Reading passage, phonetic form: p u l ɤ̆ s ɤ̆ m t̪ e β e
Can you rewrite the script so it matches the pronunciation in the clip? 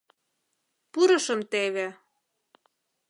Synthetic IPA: p u ɾ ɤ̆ ʃ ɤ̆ m t̪ e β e